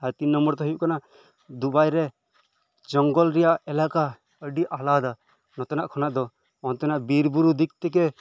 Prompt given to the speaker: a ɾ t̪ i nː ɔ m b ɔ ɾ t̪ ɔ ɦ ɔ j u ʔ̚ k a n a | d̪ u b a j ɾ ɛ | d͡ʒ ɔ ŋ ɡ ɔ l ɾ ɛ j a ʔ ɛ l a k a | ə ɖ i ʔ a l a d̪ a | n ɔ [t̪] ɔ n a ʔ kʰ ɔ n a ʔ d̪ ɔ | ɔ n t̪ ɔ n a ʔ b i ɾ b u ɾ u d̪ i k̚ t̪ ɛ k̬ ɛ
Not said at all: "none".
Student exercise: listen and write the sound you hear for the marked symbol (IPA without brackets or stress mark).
t̪